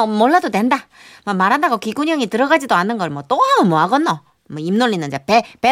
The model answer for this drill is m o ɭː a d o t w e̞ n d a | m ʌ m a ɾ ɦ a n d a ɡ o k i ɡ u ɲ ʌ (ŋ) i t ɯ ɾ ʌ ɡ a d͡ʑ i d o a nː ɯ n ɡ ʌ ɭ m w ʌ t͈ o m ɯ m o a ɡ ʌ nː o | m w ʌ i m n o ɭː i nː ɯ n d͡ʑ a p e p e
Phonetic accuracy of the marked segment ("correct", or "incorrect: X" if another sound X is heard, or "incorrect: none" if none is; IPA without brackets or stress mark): correct